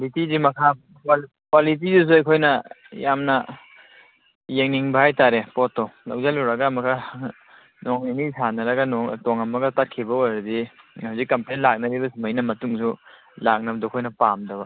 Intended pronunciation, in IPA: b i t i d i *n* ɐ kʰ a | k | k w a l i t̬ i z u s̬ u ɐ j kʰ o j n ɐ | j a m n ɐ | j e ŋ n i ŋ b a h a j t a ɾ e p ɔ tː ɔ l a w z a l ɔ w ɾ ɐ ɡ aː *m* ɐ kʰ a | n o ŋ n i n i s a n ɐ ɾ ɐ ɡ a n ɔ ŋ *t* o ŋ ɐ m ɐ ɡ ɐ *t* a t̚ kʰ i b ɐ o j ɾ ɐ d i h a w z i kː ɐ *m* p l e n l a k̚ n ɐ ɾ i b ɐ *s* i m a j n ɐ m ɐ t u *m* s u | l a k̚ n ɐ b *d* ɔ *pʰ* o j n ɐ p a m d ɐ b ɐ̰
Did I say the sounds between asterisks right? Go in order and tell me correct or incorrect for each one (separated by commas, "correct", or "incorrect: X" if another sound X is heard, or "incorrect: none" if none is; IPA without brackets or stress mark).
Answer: incorrect: m, correct, correct, correct, correct, correct, incorrect: ŋ, correct, incorrect: kʰ